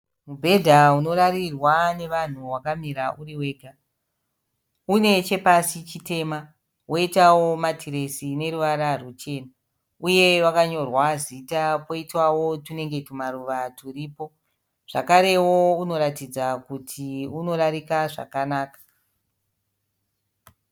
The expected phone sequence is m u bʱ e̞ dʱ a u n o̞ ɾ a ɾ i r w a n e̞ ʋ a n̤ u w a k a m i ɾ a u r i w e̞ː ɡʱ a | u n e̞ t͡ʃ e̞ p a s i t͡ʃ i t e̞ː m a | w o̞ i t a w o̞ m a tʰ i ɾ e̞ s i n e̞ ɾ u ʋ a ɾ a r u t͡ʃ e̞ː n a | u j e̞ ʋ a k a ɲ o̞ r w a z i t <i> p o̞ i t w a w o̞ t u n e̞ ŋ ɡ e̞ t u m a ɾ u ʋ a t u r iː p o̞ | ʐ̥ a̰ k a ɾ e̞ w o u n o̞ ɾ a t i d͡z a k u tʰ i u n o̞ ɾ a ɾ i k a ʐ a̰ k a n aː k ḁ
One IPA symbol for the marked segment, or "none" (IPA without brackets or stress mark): a